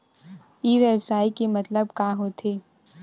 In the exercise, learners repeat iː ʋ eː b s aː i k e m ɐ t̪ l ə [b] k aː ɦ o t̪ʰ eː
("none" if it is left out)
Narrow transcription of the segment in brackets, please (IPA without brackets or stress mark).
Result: b